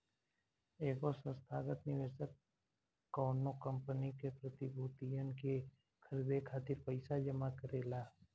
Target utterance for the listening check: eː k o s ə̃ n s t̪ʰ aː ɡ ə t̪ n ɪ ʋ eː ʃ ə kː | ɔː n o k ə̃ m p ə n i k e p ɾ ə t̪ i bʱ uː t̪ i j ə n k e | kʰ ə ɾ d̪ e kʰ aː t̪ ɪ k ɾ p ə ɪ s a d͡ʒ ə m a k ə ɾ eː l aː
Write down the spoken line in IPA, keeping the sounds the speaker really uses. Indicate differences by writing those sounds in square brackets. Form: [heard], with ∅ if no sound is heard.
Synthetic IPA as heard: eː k o s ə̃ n s t̪ʰ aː ɡ ə t̪ n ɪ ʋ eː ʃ ə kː | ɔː n o k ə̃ m p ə n i k e p ɾ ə t̪ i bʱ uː t̪ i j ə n k e | kʰ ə ɾ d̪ e kʰ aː t̪ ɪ [∅] ɾ p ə ɪ s a d͡ʒ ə m a k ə ɾ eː l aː